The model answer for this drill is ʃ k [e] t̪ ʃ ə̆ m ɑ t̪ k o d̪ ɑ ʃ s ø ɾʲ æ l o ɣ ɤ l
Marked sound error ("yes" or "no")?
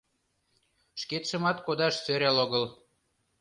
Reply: no